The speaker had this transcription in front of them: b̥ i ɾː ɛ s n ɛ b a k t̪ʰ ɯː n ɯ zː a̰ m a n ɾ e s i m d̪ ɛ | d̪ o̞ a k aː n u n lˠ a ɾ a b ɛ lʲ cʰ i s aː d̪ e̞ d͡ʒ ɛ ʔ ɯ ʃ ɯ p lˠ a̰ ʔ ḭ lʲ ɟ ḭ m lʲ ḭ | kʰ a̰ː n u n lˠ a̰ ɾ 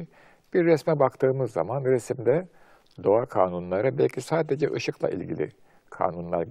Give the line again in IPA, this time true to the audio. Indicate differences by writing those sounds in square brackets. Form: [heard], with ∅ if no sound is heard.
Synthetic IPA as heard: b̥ i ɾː ɛ s [m] ɛ b a k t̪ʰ ɯː [m] ɯ zː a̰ m a n ɾ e s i m d̪ ɛ | d̪ o̞ a [kʰ] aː n u n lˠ a ɾ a b ɛ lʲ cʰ i s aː d̪ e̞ d͡ʒ ɛ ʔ ɯ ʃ ɯ [k] lˠ a̰ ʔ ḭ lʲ ɟ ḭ [∅] lʲ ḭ | kʰ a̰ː n u n lˠ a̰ ɾ